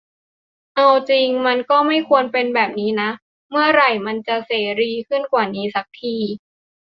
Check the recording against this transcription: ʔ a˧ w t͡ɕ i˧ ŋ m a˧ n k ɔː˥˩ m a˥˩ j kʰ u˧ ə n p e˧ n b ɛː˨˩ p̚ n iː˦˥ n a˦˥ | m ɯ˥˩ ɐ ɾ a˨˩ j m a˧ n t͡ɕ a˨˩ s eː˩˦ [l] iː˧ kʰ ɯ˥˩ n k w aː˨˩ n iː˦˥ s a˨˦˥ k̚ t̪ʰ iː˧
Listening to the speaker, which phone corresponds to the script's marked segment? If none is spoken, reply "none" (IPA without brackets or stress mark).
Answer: ɾ